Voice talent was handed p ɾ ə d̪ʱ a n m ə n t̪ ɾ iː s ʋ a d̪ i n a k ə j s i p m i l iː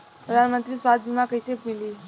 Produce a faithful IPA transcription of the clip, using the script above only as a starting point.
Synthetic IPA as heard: p ɾ ə d̪ʱ a n m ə n t̪ ɾ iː s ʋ a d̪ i m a k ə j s e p m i l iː